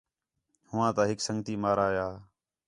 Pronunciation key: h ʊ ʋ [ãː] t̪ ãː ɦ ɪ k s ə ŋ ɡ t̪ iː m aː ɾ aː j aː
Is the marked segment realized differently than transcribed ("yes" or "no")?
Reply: no